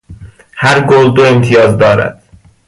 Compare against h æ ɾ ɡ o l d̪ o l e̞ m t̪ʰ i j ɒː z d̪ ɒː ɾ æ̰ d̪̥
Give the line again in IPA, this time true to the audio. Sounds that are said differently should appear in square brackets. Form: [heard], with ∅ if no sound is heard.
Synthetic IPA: h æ ɾ ɡ o l d̪ o [∅] e̞ m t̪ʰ i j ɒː z d̪ ɒː ɾ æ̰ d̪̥